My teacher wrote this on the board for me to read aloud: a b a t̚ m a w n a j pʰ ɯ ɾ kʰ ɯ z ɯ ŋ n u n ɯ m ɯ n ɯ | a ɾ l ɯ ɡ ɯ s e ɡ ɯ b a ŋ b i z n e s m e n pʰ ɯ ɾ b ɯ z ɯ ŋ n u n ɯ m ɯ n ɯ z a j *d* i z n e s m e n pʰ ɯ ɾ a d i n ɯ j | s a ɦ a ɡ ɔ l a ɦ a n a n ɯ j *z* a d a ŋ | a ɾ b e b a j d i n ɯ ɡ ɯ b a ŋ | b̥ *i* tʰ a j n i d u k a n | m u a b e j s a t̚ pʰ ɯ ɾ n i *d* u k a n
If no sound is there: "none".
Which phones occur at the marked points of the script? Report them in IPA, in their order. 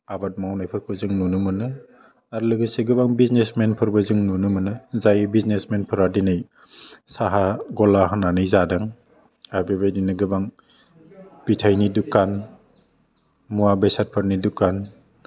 b, z, i, d

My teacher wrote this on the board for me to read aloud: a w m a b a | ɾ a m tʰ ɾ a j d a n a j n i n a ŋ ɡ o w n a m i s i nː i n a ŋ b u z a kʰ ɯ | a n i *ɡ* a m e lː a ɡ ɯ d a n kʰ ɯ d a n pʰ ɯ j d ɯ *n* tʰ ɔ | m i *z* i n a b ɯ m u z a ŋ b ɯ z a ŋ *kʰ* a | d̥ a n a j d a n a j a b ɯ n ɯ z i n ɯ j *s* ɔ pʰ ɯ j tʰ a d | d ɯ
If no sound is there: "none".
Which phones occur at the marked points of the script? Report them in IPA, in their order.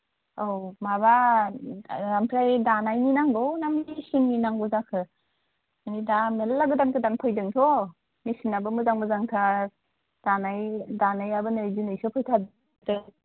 d, ŋ, s, tʰ, s

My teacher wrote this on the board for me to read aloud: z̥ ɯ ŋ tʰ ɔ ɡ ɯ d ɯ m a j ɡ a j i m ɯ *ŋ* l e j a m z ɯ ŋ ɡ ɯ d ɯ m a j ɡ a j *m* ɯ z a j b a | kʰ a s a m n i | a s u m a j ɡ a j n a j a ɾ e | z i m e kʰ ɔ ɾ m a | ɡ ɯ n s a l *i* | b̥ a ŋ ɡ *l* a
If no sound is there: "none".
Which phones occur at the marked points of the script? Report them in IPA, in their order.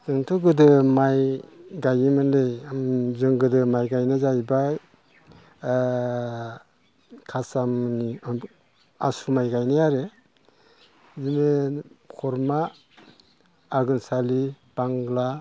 n, n, i, l

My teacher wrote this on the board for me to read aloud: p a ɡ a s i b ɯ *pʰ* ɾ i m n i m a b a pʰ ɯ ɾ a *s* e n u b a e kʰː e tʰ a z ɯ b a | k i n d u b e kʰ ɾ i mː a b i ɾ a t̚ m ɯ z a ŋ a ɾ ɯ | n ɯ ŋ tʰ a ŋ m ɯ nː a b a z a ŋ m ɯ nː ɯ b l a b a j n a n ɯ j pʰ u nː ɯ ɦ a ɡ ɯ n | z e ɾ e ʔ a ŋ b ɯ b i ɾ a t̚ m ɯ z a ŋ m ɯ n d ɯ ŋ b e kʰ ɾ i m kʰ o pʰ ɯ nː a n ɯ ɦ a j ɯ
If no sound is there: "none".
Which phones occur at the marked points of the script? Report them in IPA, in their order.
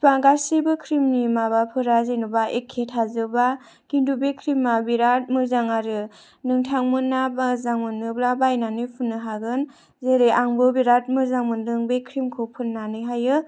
kʰ, z

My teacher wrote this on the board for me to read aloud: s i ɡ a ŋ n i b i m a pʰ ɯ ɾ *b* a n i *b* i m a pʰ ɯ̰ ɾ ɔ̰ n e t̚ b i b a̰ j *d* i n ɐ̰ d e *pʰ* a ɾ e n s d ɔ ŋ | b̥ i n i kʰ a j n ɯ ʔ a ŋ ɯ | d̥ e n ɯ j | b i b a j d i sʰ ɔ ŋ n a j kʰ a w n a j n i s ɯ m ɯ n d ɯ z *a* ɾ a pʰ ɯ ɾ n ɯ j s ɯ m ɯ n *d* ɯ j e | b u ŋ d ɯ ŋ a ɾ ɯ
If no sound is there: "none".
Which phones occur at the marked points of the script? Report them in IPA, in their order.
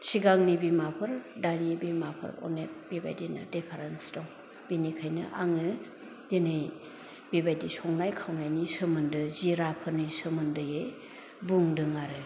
d, b, d, pʰ, i, d

